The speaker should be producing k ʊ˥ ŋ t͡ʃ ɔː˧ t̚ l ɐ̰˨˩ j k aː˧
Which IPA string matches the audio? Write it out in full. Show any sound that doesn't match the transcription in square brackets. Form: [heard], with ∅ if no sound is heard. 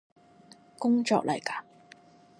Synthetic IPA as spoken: k ʊ˥ ŋ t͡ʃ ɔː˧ [k̚] l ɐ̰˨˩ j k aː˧